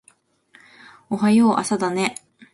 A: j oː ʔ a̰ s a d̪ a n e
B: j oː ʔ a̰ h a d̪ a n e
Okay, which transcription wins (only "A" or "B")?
A